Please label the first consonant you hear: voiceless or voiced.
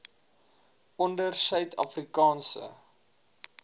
voiced